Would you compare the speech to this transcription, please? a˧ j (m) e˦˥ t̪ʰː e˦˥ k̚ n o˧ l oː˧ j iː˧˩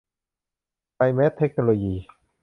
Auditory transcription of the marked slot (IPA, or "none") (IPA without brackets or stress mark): m